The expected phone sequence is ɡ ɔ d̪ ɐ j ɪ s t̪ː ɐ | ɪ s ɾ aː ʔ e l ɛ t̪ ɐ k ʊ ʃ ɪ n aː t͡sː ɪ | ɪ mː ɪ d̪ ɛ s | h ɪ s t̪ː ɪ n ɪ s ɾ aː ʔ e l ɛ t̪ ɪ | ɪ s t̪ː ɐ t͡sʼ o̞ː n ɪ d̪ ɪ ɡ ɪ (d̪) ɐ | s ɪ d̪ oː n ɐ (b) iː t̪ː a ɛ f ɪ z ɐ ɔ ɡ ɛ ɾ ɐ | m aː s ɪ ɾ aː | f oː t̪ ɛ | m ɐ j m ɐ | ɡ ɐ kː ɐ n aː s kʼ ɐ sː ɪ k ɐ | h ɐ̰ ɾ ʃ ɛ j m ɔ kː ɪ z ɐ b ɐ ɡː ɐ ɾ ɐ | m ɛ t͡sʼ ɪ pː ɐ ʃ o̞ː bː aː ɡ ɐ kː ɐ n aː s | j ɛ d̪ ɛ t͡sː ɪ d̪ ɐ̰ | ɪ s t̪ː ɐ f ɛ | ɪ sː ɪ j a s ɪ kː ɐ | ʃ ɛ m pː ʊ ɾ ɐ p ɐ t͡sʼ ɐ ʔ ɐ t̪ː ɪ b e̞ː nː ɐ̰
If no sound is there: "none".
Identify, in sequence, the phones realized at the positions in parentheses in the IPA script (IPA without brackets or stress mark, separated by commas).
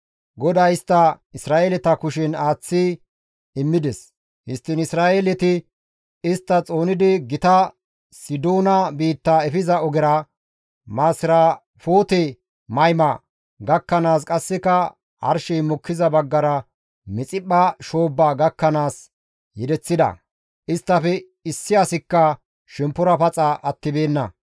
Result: t̪, b